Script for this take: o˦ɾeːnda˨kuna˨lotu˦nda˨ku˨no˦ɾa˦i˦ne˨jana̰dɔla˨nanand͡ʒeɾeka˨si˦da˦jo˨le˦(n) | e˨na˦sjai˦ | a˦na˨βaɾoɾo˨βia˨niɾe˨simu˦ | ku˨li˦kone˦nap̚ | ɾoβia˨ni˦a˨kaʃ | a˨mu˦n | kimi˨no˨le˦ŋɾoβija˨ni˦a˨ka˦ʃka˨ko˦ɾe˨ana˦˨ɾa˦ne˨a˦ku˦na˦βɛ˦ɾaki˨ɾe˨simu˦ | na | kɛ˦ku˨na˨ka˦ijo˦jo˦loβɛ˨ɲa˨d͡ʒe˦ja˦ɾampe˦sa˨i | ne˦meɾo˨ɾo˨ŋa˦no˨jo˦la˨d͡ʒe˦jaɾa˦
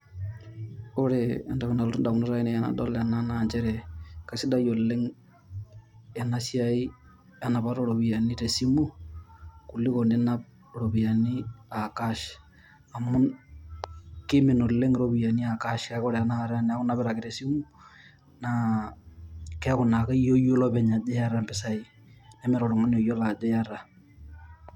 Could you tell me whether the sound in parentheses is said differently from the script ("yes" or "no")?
yes